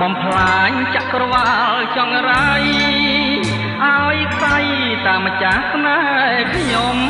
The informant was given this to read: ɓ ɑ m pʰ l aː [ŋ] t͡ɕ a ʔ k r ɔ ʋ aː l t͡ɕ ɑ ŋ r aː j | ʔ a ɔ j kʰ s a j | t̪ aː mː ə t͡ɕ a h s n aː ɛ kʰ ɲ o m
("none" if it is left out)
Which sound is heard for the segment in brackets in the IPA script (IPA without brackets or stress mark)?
ɲ